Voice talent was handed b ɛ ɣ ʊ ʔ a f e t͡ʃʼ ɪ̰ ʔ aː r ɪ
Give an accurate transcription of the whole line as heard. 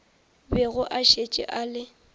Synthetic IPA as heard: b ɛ ɣ ʊ ʔ a ʃ e t͡ʃʼ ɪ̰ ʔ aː l ɪ